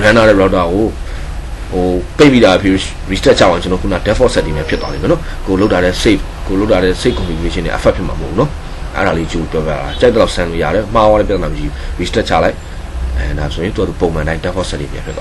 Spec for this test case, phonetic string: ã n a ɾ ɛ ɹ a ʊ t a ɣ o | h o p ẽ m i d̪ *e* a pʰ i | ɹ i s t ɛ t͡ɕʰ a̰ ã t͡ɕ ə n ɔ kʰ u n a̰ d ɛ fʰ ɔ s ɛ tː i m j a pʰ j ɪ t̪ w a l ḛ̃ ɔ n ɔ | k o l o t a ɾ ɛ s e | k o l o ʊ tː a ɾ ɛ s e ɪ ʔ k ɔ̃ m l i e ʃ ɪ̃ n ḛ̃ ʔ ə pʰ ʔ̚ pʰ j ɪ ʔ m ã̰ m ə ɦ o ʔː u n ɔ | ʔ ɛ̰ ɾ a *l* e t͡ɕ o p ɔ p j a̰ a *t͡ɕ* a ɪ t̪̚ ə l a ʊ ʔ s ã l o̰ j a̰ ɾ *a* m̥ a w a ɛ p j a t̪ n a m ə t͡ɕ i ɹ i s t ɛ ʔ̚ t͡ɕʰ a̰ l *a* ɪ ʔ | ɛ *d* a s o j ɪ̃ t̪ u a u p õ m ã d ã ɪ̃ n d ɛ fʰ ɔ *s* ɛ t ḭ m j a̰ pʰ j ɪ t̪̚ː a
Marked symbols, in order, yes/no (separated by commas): no, yes, yes, no, yes, yes, yes